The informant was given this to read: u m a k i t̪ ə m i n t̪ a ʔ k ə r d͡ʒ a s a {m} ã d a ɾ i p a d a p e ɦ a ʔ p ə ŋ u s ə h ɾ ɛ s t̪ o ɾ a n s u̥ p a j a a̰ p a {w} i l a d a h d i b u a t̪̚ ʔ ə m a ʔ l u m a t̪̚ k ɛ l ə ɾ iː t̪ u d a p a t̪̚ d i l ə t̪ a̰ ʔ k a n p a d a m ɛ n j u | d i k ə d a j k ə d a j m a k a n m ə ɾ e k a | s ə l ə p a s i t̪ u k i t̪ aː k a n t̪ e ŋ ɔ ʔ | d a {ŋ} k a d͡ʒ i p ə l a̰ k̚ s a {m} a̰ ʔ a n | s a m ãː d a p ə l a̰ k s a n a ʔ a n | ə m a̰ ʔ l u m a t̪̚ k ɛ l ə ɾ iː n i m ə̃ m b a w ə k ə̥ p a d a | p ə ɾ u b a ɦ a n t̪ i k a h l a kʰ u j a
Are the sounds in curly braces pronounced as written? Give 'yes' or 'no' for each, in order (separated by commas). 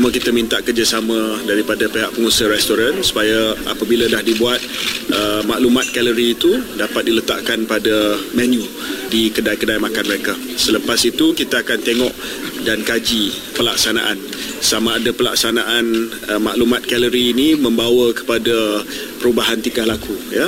yes, no, no, no